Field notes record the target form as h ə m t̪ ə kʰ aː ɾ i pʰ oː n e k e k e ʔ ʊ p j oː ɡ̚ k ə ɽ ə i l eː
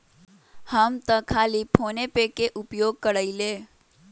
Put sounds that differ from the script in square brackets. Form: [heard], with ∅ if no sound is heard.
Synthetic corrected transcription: h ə m t̪ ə kʰ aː [l] i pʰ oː n e [p] e k e ʔ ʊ p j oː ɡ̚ k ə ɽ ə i l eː